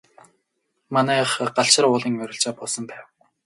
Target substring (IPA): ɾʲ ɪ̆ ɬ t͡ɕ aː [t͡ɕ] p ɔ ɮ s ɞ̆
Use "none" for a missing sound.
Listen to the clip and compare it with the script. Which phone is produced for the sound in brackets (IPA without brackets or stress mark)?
none